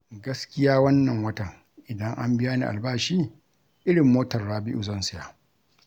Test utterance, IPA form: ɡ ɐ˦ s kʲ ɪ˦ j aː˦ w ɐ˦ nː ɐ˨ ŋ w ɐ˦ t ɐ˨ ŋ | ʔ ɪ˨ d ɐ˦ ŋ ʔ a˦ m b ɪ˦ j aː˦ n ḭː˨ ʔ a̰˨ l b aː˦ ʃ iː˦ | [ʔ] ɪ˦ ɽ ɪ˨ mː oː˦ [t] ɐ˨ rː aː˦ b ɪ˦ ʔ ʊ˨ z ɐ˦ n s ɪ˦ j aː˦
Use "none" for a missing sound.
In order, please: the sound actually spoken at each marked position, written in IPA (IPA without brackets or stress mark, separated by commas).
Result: ʔ, t